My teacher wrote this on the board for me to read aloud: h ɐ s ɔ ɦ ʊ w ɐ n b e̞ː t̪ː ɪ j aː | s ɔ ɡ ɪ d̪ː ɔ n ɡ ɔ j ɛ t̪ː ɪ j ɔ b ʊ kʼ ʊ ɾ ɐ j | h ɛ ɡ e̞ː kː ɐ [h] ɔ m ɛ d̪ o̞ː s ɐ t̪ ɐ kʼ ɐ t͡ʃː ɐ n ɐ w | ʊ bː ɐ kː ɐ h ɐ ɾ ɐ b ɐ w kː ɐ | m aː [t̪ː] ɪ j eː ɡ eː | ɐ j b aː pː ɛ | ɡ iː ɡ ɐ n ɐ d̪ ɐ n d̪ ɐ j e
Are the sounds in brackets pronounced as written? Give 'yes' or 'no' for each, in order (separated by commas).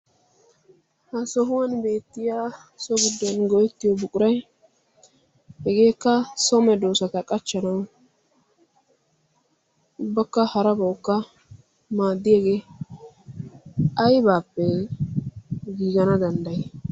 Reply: no, no